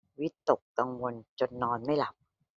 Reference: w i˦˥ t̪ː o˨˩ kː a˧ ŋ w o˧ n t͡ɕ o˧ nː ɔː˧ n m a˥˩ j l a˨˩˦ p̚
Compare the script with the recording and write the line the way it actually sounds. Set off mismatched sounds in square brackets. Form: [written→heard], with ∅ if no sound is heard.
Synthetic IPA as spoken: w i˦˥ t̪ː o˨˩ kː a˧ ŋ w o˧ n t͡ɕ o˧ nː ɔː˧ n m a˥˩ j l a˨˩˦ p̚